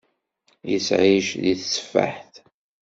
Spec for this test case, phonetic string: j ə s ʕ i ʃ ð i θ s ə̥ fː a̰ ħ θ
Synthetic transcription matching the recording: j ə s ʕ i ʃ ð i θ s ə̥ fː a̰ ħ θ